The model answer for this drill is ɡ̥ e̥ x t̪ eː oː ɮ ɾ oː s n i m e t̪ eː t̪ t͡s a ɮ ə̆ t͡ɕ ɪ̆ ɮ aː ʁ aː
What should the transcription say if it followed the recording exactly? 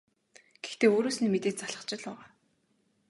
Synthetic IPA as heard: ɡ̥ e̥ x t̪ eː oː ɾ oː s n i m e t̪ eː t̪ t͡s a ɮ ə̆ t͡ɕ ɪ̆ ɮ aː ʁ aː